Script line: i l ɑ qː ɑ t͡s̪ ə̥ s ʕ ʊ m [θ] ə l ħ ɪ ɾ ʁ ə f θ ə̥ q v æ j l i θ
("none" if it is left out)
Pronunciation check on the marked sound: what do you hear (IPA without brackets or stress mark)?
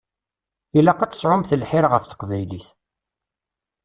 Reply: θ